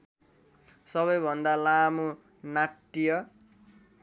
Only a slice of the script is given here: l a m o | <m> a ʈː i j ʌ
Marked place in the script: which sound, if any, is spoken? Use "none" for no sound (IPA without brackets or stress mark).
n